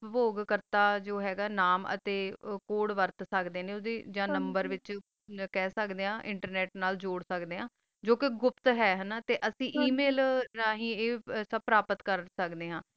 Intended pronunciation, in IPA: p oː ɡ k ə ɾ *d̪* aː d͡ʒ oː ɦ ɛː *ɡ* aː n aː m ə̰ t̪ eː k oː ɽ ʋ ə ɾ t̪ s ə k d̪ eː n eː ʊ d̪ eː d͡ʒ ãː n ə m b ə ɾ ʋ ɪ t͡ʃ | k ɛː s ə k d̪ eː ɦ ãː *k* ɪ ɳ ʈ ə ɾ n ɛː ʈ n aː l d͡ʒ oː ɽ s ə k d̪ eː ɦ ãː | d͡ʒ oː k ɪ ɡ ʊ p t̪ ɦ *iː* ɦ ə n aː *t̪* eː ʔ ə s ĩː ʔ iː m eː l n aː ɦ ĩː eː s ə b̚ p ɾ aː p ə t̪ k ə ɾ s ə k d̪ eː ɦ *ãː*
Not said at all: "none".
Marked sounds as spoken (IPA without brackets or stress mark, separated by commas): t̪, ɡ, ʔ, ɛː, t̪, ãː